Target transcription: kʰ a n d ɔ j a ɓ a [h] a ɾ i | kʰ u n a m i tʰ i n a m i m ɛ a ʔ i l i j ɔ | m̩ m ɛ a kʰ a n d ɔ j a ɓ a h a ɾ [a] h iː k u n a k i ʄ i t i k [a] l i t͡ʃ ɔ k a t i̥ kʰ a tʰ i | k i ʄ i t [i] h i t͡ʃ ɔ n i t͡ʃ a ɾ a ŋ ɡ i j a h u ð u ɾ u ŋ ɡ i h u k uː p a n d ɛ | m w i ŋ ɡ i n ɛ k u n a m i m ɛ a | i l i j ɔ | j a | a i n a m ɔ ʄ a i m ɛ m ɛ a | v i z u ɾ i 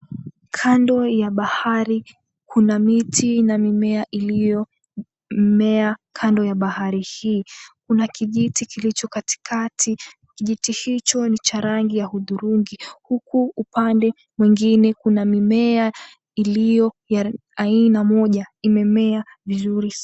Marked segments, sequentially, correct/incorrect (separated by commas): correct, incorrect, incorrect, correct